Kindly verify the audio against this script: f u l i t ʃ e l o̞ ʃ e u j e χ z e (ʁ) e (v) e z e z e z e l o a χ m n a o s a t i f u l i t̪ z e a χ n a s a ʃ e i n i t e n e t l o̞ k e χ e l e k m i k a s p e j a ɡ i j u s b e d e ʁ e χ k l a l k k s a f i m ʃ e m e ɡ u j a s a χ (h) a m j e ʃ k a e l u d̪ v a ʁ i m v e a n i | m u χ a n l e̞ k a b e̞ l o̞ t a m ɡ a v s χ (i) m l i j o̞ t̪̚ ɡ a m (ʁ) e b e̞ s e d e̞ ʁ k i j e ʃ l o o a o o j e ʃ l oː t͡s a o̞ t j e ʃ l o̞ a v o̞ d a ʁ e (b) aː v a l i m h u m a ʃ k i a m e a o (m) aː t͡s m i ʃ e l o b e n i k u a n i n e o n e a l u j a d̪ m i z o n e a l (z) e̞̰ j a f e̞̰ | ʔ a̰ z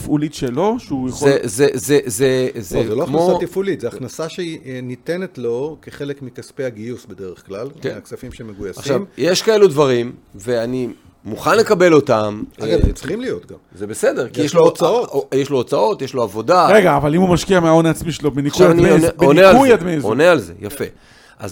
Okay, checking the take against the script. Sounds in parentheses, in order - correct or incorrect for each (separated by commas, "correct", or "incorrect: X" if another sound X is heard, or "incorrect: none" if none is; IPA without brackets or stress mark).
incorrect: z, incorrect: z, incorrect: ʃ, correct, incorrect: z, incorrect: ɡ, incorrect: n, correct